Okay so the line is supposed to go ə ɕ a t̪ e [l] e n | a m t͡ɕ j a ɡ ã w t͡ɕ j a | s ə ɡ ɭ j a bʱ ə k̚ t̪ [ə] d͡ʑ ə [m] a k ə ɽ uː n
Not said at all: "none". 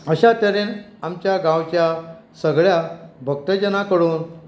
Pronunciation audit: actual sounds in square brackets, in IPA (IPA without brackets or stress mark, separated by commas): ɾ, ə, n